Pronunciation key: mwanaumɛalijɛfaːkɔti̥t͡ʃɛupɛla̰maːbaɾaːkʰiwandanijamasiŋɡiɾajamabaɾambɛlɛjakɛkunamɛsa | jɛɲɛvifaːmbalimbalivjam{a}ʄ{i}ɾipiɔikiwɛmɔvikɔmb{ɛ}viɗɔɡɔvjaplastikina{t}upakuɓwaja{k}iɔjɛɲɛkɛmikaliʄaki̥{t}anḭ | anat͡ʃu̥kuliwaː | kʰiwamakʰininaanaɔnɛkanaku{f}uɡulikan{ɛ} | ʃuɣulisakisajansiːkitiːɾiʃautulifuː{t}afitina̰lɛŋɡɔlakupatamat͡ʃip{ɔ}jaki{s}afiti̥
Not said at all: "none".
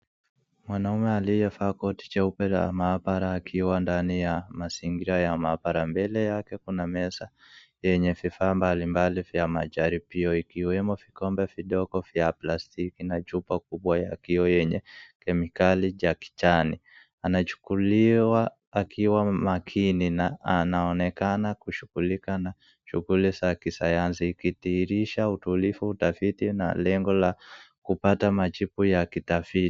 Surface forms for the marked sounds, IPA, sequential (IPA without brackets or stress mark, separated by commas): a, a, ɛ, t͡ʃ, k, t͡ʃ, ʃ, a, t, u, t